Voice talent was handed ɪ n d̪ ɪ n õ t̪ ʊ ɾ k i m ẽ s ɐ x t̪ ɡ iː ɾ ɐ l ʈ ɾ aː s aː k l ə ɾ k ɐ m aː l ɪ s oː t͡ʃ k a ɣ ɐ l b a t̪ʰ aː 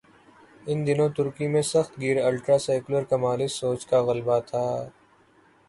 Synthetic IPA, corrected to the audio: ɪ n d̪ ɪ n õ t̪ ʊ ɾ k i m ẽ s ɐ x t̪ ɡ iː ɾ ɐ l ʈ ɾ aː s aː k l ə ɾ k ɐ m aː l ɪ s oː t͡ʃ k a ɣ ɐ l b a t̪ʰ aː